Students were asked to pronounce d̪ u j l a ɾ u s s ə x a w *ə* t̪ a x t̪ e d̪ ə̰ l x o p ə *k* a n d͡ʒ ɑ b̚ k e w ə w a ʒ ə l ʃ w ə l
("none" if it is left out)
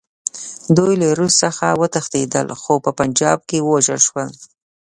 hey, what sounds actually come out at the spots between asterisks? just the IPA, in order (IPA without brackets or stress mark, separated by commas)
ə, p